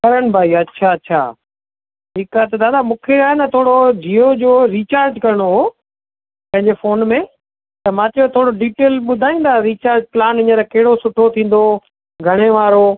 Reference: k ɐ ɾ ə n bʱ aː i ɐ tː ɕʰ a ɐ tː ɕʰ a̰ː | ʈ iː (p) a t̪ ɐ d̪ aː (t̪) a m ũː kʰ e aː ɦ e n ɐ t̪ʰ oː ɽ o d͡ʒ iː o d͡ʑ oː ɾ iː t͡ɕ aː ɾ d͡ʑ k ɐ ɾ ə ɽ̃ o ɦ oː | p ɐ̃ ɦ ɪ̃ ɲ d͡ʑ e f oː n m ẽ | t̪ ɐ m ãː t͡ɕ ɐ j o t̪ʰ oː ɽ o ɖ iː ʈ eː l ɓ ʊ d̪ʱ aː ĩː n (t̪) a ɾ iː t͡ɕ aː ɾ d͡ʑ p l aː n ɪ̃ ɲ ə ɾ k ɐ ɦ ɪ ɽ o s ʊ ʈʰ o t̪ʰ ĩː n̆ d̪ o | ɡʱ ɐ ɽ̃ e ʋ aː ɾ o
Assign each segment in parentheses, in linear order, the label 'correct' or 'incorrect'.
incorrect, incorrect, incorrect

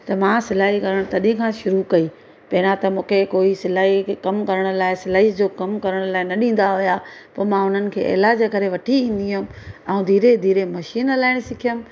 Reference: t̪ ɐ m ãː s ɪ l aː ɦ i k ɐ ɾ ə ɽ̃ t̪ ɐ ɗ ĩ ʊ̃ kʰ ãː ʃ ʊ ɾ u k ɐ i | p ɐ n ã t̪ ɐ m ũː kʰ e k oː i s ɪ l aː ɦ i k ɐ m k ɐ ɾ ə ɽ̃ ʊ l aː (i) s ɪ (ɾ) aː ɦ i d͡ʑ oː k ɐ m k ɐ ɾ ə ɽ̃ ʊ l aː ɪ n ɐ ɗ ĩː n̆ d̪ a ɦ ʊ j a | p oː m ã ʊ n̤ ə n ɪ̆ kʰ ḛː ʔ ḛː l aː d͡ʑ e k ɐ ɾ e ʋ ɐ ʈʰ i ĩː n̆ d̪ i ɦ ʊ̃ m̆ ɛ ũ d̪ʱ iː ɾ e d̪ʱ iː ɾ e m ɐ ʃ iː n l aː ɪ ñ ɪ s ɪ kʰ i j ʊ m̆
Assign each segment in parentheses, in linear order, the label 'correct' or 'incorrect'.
incorrect, incorrect

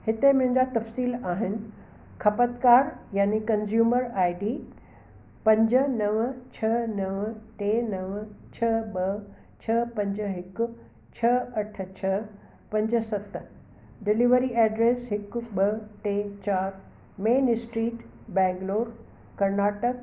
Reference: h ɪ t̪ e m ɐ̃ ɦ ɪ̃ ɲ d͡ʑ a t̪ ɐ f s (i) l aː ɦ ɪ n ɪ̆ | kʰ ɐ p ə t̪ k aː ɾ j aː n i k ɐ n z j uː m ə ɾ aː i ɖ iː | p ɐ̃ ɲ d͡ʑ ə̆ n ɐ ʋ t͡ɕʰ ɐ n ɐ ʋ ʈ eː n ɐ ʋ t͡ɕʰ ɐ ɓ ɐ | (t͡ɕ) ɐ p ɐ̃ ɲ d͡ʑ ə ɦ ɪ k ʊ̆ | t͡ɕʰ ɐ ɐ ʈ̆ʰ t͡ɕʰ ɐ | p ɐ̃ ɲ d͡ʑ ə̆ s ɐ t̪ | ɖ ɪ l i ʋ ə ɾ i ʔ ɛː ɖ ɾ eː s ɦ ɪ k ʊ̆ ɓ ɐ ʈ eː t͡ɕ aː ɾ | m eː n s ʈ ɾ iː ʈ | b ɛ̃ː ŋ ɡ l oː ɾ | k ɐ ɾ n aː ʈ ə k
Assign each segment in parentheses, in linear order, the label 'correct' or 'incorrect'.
incorrect, incorrect

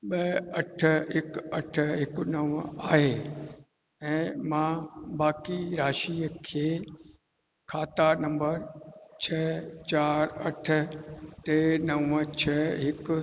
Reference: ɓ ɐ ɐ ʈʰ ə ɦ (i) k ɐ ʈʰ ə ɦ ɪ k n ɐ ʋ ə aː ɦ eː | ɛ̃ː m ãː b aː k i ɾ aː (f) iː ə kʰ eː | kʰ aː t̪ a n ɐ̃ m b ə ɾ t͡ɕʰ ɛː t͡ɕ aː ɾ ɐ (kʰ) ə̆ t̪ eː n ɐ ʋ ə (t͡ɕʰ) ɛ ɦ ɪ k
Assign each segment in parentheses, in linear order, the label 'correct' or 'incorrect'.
incorrect, incorrect, incorrect, correct

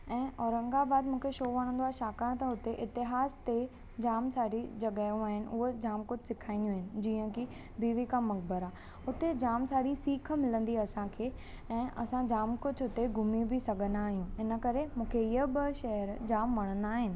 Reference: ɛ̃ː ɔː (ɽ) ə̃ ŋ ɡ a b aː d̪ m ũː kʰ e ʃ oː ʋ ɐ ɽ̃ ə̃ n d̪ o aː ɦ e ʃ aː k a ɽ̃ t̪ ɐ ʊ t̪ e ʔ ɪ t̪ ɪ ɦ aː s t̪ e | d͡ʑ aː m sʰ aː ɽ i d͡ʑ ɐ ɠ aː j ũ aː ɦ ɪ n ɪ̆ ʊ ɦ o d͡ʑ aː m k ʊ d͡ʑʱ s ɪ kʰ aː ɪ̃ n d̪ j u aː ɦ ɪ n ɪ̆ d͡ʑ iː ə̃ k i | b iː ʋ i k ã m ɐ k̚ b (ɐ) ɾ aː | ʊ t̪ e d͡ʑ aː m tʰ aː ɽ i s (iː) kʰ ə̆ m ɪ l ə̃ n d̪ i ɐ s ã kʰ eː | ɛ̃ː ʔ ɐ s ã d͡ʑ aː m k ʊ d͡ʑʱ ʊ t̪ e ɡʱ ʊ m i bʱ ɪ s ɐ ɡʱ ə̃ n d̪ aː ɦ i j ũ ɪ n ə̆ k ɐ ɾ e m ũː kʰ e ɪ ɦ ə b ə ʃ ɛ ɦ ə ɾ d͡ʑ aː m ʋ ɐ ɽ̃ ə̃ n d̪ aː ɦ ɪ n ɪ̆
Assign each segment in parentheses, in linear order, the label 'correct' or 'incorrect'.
incorrect, incorrect, correct

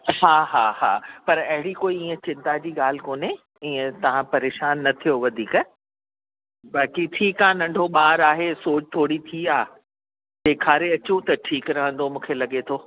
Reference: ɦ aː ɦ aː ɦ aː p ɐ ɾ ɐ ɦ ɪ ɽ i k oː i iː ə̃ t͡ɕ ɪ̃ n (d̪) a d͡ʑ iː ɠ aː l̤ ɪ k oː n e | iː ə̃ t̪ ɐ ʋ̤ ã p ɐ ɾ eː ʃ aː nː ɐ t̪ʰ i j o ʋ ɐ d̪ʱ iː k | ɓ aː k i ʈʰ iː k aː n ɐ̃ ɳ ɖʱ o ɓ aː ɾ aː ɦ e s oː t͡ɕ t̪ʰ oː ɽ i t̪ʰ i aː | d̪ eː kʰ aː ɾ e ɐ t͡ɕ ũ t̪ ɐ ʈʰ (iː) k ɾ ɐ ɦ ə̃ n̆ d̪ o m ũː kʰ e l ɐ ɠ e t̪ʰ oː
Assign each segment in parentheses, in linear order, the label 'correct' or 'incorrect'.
incorrect, correct

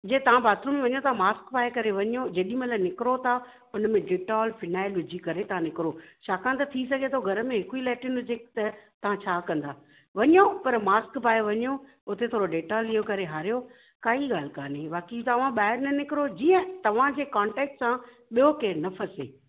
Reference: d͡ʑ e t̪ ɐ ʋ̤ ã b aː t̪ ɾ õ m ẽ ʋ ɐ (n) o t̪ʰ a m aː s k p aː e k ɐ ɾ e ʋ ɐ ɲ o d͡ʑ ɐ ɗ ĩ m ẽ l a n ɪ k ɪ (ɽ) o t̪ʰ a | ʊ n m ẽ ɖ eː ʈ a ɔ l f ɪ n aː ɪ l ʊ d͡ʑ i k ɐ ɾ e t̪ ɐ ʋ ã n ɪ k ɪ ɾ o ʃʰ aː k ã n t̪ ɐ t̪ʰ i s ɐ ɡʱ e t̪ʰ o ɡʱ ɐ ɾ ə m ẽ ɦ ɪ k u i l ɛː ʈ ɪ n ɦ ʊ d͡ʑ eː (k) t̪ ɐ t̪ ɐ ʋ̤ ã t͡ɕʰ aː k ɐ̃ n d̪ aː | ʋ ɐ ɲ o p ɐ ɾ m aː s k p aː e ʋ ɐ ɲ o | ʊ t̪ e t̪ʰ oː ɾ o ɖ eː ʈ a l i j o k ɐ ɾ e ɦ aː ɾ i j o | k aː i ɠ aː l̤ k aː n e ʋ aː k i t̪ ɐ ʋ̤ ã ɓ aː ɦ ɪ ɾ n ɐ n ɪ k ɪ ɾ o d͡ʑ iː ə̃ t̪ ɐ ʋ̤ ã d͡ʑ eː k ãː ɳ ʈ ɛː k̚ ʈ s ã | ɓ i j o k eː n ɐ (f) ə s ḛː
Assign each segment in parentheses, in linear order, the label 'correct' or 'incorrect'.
incorrect, incorrect, correct, correct

